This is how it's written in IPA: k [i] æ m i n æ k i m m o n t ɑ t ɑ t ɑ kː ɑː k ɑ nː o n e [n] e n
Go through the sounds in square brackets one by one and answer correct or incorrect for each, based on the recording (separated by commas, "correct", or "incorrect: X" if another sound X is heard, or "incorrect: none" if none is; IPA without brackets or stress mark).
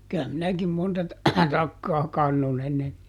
incorrect: y, incorrect: nː